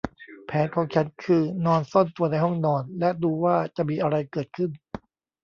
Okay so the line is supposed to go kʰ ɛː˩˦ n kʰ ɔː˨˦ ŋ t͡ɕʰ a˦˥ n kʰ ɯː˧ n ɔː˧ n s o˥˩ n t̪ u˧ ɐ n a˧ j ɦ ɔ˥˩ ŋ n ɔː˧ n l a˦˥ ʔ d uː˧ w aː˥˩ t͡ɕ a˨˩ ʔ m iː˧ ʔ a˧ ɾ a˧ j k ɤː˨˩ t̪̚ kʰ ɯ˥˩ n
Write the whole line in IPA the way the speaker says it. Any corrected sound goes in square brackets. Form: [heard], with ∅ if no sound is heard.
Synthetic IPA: [pʰ] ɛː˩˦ n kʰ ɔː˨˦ ŋ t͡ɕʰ a˦˥ n kʰ ɯː˧ n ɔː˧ n s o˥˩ n t̪ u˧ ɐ n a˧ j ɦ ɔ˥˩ ŋ n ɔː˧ n l [ɛ˦˥] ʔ d uː˧ w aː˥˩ t͡ɕ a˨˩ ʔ m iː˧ ʔ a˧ ɾ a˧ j k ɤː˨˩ t̪̚ kʰ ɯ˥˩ n